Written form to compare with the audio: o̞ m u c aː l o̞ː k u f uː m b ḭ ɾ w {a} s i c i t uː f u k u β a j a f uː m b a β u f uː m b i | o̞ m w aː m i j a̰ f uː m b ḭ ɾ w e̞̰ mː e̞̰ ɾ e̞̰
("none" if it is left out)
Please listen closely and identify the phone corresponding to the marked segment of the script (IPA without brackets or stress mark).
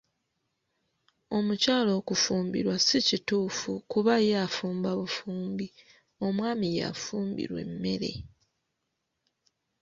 a